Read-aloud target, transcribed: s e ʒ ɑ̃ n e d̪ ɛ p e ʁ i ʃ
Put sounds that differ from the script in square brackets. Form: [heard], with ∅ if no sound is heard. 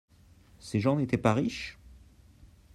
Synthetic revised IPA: s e ʒ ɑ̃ n e [t̪] ɛ p [a] ʁ i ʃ